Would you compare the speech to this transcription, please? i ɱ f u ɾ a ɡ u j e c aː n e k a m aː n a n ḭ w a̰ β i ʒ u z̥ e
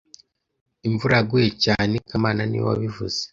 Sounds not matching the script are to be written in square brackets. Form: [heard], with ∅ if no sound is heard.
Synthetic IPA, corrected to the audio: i ɱ [v] u ɾ a ɡ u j e c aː n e k a m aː n a n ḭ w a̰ β i [v] u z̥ e